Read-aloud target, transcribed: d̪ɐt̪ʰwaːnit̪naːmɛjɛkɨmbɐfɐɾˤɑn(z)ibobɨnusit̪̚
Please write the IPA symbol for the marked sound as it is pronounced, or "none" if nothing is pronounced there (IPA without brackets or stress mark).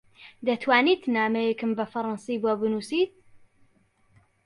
s